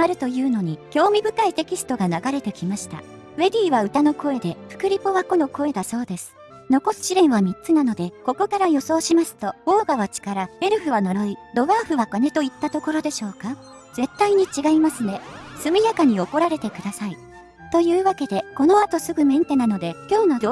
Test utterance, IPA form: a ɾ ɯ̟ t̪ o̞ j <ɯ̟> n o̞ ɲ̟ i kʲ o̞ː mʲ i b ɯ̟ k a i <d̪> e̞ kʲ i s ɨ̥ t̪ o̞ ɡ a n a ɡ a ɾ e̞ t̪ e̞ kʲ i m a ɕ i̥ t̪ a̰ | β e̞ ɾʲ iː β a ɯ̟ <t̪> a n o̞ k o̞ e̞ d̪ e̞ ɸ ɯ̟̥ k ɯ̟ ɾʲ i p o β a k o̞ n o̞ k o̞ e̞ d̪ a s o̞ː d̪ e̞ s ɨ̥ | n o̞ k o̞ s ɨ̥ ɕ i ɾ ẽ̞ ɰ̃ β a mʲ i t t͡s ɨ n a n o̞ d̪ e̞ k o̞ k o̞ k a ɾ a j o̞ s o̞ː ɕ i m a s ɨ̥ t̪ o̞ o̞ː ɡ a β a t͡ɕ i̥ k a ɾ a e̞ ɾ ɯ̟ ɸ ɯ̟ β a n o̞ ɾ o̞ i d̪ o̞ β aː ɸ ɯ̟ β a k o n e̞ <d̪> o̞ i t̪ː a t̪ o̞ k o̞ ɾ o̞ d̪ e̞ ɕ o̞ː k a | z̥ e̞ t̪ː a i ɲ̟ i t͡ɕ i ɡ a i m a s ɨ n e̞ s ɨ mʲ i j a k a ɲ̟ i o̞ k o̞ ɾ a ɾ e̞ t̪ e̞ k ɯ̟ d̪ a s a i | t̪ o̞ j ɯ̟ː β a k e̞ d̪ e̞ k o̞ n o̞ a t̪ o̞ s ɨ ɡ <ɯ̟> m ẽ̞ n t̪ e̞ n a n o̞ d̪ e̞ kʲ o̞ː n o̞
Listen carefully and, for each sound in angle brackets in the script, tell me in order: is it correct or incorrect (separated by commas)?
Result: incorrect, incorrect, correct, incorrect, correct